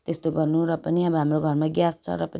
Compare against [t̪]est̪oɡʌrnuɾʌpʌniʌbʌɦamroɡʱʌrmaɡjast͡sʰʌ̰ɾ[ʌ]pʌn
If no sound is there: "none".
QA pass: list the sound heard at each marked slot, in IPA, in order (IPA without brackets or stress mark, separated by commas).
t̪, ʌ